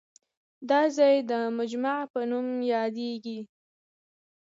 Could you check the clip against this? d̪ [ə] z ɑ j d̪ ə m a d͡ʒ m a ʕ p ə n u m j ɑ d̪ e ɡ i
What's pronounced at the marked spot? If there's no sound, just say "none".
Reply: ɑ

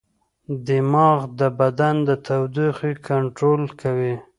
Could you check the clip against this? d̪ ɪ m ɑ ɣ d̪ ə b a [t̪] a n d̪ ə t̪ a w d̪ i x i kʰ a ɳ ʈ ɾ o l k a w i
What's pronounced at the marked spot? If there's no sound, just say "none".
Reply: d̪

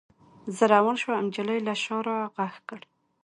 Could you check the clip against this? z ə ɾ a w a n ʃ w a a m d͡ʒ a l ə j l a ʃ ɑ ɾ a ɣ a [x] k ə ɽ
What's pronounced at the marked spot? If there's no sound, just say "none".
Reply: x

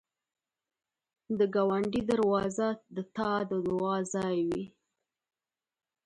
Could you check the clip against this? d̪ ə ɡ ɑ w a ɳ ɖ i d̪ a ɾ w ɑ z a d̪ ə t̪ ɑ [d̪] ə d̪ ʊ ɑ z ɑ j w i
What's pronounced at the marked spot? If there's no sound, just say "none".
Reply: d̪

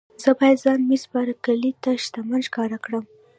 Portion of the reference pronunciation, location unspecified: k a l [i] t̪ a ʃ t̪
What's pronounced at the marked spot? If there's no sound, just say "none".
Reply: i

